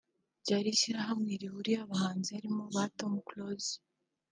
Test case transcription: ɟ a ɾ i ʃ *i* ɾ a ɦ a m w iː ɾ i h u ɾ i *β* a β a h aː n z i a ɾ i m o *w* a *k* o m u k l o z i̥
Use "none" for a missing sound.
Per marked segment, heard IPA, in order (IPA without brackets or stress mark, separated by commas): i, none, β, t